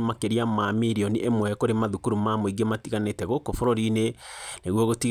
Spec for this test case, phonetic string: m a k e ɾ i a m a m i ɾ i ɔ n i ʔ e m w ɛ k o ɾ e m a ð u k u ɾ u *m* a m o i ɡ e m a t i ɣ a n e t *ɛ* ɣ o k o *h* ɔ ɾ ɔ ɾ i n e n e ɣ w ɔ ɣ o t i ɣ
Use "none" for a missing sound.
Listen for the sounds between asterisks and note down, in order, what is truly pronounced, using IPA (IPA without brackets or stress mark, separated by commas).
m, ɛ, f